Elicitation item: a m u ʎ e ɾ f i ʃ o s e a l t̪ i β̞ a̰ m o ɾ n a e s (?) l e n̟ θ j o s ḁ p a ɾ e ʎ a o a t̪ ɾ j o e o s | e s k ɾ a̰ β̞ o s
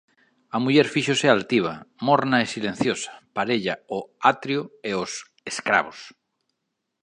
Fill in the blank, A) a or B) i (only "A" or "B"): B